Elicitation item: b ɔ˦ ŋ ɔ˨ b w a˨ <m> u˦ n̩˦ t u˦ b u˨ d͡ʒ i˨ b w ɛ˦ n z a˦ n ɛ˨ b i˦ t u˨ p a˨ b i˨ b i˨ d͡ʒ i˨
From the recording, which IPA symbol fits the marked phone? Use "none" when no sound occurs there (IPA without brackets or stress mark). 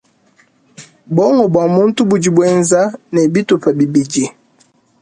m